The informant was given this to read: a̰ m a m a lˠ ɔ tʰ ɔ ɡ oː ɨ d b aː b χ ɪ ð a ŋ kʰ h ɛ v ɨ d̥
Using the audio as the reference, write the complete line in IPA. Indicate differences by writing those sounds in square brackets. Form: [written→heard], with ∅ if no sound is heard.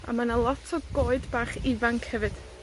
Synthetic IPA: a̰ m a [m→n] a lˠ ɔ tʰ ɔ ɡ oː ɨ d b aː [b→∅] χ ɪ [ð→v] a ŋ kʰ h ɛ v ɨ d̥